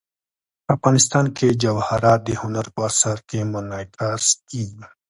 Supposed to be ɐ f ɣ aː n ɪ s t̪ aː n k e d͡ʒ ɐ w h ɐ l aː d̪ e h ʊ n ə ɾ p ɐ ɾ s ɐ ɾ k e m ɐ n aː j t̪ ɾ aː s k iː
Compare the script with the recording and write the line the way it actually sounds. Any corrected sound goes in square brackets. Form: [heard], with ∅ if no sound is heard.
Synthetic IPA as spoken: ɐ f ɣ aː n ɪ s t̪ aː n k e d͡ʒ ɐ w h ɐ [ɾ] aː d̪ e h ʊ n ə ɾ p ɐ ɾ s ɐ ɾ k e m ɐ n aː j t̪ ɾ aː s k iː